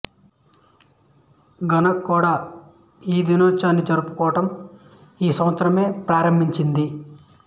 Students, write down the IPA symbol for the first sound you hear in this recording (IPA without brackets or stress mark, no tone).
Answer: ɡ